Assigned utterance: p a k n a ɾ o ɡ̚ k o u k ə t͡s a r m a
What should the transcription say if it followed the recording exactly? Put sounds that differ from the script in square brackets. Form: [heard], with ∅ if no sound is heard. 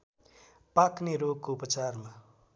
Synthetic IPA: p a k n [e] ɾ o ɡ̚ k o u [p] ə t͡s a r m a